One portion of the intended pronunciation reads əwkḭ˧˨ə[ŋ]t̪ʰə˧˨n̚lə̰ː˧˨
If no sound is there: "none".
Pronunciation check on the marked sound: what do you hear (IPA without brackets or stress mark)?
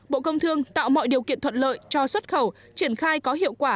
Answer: n